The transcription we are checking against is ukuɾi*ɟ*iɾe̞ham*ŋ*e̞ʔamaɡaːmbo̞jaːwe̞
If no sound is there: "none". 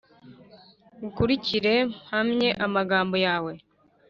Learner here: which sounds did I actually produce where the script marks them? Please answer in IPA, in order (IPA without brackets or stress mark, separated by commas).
c, ɲ